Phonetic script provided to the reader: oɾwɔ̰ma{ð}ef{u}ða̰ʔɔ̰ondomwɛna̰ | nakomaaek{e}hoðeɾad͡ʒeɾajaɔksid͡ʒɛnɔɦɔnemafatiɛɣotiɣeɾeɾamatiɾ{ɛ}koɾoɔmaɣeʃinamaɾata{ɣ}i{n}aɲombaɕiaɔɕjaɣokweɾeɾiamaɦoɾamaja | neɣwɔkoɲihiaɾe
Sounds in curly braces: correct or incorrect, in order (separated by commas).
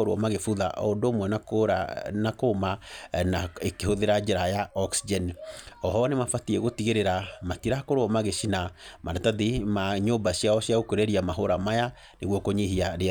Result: incorrect, correct, correct, incorrect, incorrect, incorrect